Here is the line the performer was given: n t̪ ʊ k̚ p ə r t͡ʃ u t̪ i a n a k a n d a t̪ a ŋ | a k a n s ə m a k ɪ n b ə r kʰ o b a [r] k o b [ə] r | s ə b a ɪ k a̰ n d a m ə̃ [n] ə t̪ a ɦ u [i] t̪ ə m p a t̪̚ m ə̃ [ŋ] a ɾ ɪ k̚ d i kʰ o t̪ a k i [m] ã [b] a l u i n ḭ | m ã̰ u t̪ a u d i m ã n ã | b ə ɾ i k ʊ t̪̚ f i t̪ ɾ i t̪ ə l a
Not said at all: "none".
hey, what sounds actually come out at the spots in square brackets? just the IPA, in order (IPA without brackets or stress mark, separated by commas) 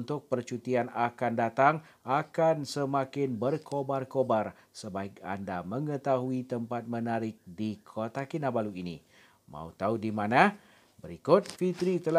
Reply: r, a, ŋ, i, n, n, b